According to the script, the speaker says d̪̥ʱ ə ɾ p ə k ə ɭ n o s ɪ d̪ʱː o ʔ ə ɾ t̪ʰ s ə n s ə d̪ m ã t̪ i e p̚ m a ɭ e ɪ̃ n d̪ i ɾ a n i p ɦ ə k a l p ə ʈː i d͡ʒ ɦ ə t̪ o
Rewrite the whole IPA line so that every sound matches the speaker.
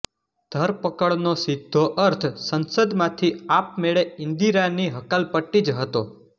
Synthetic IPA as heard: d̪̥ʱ ə ɾ p ə k ə ɭ n o s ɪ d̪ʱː o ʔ ə ɾ t̪ʰ s ə n s ə d̪ m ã t̪ʰ i a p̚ m e ɭ e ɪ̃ n d̪ i ɾ a n i ɦ ə k a l p ə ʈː i d͡ʒ ɦ ə t̪ o